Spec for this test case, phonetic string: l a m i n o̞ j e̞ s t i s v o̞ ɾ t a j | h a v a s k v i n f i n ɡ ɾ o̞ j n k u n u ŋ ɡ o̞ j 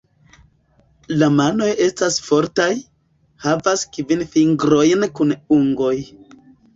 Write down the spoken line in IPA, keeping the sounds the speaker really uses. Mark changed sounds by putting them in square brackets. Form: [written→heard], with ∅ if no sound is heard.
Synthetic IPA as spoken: l a m [i→a] n o̞ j e̞ s t [i→a] s [v→f] o̞ ɾ t a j | h a v a s k v i n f i [n→ŋ] ɡ ɾ o̞ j n k u n u ŋ ɡ o̞ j